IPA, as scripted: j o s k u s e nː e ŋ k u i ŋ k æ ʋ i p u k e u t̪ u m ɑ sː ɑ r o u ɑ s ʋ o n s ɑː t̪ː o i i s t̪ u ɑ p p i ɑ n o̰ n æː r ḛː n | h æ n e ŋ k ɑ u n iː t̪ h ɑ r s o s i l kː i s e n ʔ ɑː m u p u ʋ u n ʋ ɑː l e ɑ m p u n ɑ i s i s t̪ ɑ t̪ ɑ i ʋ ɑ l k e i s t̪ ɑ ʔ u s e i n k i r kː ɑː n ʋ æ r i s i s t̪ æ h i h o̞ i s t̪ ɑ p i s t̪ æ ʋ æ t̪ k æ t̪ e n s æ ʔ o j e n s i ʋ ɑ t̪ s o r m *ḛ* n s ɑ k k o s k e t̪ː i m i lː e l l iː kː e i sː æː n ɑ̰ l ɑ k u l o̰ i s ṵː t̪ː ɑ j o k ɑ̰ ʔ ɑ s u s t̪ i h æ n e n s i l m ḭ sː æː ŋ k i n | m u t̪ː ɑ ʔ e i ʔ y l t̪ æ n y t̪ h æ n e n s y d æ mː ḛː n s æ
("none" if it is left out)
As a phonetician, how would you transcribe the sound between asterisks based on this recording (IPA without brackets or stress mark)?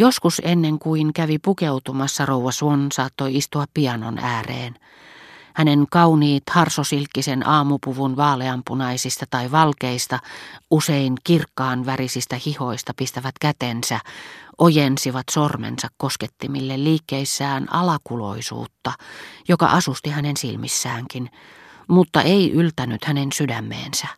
ḛ